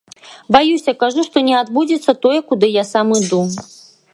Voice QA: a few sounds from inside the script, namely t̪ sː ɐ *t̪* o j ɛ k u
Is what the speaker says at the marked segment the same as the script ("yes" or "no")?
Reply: yes